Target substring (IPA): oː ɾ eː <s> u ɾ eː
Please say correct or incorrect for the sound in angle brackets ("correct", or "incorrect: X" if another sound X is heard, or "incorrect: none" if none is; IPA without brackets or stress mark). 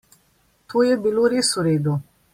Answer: correct